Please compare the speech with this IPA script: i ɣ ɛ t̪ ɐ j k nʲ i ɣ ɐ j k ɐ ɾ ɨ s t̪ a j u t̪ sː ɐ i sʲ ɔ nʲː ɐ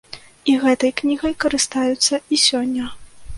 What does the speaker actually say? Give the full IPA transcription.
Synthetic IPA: i ɣ ɛ t̪ ɐ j k nʲ i ɣ ɐ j k ɐ ɾ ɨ s t̪ a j u t̪ sː ɐ i sʲ ɔ nʲː ɐ